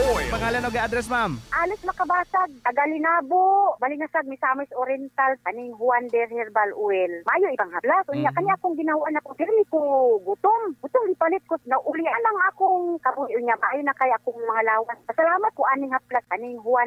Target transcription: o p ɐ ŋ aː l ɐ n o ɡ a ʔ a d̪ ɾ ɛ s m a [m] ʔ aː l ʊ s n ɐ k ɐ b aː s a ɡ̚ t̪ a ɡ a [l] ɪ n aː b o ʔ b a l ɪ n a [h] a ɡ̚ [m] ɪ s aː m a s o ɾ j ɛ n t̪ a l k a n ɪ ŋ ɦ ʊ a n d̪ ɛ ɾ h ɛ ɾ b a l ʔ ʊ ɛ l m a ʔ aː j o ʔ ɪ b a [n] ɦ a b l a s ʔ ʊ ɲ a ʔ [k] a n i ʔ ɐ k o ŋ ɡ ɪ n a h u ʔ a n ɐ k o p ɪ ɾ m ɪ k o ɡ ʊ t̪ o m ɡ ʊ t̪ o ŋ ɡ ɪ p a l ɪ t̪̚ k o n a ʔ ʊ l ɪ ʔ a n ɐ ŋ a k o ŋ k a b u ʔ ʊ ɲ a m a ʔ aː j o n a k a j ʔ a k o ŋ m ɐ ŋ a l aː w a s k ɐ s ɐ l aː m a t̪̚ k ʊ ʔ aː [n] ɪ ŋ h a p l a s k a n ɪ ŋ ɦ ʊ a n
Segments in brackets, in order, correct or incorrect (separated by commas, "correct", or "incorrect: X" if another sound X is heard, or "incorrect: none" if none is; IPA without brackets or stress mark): correct, correct, incorrect: s, correct, incorrect: ŋ, correct, correct